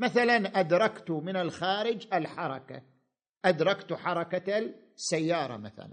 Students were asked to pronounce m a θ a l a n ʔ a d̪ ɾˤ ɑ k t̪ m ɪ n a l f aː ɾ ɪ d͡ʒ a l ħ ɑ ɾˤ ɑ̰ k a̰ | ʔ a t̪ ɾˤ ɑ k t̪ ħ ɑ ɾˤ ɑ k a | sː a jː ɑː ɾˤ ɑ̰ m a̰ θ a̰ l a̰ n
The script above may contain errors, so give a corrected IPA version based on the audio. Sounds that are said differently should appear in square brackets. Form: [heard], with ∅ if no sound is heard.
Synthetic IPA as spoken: m a θ a l a n ʔ a d̪ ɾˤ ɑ k t̪ m ɪ n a l [x] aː ɾ ɪ d͡ʒ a l ħ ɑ ɾˤ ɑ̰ k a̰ | ʔ a [d̪] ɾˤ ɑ k t̪ ħ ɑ ɾˤ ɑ k a | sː a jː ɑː ɾˤ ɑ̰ m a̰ θ a̰ l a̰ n